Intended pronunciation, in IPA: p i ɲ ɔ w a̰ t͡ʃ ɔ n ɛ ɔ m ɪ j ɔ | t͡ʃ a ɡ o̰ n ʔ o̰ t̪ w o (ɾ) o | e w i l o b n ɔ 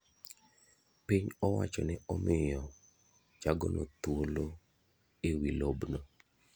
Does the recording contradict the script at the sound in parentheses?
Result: yes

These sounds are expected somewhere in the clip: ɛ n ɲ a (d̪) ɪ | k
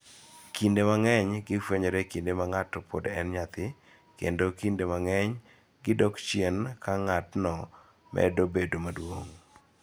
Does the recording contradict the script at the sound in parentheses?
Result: yes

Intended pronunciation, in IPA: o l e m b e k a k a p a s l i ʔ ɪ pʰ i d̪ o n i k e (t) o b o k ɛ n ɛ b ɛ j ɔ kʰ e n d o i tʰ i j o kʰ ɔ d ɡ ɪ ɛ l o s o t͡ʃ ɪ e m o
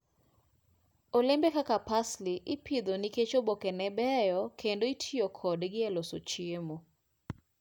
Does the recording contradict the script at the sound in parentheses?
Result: yes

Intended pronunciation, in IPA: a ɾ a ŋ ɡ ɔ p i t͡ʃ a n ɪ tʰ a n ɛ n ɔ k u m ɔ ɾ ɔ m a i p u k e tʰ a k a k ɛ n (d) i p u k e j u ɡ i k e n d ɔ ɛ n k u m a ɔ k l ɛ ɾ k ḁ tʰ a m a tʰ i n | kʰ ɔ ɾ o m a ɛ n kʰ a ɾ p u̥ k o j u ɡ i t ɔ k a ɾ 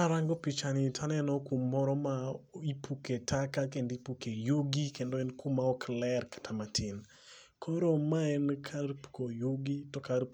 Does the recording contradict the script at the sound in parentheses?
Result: no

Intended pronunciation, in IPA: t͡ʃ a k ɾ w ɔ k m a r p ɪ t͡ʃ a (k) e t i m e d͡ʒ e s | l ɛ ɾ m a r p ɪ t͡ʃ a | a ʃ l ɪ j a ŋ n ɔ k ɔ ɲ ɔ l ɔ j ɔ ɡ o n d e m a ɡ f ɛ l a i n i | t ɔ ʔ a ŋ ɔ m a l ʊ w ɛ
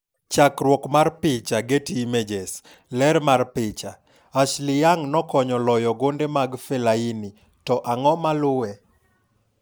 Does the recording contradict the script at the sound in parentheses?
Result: yes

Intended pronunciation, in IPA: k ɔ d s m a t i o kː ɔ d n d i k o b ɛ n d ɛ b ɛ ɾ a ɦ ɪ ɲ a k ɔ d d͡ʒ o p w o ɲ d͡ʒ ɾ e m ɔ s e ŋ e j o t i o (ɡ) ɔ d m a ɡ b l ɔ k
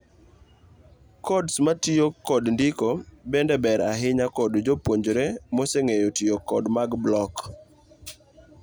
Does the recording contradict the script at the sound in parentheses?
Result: yes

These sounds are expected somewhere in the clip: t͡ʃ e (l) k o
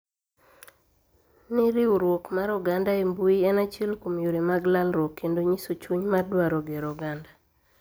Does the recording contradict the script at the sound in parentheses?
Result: no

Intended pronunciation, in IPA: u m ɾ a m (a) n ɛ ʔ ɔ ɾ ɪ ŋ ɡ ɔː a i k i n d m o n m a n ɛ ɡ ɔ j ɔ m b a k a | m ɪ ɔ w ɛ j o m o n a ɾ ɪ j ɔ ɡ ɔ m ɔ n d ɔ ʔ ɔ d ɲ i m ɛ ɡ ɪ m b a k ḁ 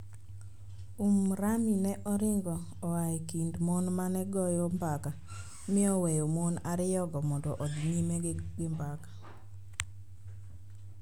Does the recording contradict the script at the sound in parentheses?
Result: yes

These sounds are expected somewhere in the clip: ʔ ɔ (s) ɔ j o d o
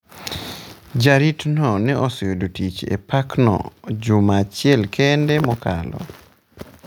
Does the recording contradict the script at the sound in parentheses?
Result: no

